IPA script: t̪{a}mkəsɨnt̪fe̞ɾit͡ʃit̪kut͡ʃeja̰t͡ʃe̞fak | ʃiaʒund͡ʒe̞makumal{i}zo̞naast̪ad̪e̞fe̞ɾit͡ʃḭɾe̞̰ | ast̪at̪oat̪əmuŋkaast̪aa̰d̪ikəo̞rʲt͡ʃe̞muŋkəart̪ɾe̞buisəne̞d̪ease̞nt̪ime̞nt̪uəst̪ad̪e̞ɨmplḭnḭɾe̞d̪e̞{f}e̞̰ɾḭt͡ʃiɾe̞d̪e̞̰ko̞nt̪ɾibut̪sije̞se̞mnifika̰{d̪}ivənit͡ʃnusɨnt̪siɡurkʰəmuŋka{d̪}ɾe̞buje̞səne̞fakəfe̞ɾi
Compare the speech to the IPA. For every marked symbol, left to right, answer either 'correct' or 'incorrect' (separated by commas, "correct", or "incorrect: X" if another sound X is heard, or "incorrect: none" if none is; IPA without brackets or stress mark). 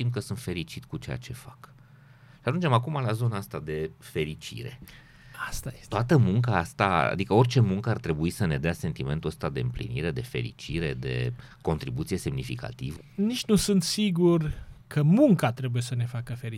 incorrect: i, incorrect: a, correct, incorrect: t̪, incorrect: t̪